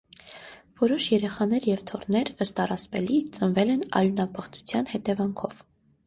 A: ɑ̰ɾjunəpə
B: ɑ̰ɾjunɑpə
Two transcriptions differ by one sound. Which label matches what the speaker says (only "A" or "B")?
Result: B